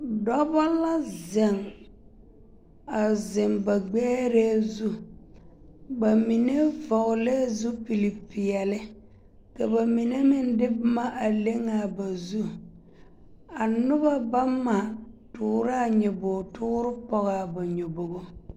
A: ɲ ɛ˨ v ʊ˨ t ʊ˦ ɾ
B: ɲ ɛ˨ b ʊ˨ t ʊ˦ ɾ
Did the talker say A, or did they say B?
B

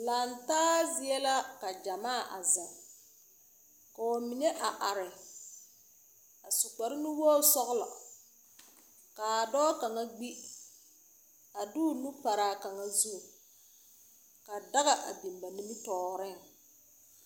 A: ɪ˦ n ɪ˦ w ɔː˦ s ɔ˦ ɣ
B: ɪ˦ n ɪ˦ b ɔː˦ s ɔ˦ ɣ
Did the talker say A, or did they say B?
A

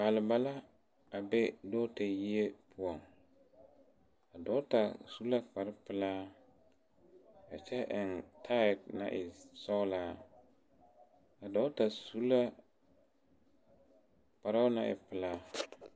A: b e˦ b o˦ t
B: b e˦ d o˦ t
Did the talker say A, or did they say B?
B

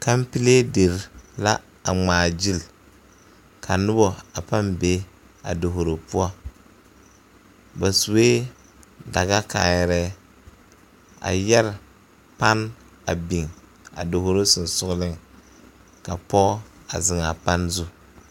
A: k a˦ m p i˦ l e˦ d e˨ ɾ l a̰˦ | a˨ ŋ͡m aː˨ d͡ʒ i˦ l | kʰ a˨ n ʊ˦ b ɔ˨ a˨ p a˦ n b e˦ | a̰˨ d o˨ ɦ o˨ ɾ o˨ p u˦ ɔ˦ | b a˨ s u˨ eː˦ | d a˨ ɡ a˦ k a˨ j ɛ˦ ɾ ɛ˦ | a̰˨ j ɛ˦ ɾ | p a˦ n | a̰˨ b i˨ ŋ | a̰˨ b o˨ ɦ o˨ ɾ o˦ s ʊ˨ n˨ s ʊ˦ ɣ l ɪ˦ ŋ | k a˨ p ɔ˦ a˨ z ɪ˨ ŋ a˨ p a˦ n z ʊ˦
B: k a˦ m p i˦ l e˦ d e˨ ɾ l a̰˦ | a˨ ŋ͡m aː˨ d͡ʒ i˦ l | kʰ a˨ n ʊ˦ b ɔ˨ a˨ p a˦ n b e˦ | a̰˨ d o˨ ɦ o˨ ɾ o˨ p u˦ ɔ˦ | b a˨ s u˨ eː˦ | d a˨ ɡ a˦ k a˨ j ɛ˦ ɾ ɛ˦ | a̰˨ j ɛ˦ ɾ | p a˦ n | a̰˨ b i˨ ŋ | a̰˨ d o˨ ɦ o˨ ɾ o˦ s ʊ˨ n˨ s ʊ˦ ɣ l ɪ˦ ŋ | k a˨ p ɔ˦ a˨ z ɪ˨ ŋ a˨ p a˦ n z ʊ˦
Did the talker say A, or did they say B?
B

